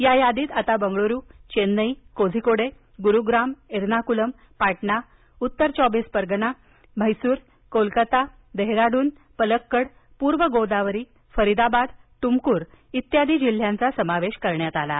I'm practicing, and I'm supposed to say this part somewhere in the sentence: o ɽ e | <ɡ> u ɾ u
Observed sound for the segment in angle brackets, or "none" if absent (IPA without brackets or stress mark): ɡ